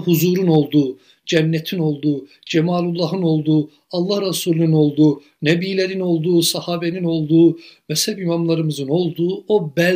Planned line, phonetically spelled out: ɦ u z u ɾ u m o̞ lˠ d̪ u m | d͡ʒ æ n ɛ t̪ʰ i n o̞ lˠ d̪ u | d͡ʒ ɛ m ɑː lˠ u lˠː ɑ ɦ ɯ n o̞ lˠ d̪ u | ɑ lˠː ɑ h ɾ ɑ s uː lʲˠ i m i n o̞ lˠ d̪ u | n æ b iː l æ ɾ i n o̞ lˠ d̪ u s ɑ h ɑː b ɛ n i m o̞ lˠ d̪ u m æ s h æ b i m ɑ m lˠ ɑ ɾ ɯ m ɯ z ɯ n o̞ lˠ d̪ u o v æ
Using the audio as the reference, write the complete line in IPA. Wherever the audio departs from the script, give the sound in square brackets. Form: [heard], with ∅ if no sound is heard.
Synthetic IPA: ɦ u z u ɾ u [n] o̞ lˠ d̪ u [∅] | d͡ʒ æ [nː] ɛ t̪ʰ i n o̞ lˠ d̪ u | d͡ʒ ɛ m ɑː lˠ u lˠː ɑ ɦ ɯ n o̞ lˠ d̪ u | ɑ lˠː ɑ h ɾ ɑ s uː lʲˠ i [n] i n o̞ lˠ d̪ u | n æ b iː l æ ɾ i n o̞ lˠ d̪ u s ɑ h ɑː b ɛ n i [n] o̞ lˠ d̪ u m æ s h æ b i m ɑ m lˠ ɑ ɾ ɯ m ɯ z ɯ n o̞ lˠ d̪ u o [b] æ